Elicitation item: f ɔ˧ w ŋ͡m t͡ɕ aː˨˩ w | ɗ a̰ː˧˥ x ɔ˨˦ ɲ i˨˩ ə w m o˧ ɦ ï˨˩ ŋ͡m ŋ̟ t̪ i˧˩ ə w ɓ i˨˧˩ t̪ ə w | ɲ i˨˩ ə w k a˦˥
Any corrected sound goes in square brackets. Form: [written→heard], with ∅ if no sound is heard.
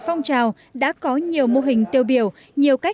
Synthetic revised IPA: f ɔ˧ w ŋ͡m t͡ɕ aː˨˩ w | ɗ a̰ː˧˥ [x→k] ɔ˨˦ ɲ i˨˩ ə w m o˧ ɦ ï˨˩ [ŋ͡m→∅] ŋ̟ t̪ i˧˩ ə w ɓ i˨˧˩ [t̪→∅] ə w | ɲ i˨˩ ə w k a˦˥